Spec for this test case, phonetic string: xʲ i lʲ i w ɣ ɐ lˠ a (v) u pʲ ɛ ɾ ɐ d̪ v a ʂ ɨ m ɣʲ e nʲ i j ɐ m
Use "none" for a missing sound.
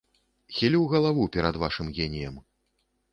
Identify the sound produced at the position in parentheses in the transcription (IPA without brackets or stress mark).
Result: v